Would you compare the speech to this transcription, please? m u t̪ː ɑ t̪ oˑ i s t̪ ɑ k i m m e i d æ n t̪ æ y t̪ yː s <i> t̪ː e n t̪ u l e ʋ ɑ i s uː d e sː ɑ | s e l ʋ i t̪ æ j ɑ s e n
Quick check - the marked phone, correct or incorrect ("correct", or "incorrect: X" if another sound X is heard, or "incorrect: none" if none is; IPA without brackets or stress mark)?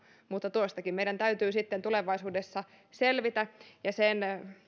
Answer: correct